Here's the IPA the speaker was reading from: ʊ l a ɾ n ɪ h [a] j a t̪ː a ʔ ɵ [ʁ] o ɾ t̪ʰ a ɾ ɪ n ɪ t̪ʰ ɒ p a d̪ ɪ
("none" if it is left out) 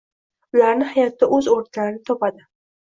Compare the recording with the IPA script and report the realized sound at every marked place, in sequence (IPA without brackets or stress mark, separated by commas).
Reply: a, z